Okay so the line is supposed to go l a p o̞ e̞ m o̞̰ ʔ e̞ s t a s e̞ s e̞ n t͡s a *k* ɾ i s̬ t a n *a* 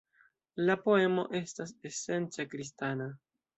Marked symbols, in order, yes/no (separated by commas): yes, yes